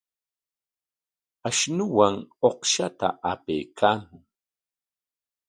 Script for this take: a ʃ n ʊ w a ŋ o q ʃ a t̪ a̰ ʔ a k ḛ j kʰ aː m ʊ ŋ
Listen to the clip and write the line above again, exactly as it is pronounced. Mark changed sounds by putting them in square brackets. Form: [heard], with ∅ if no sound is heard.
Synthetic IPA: a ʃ n ʊ w a ŋ o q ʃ a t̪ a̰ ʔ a [p] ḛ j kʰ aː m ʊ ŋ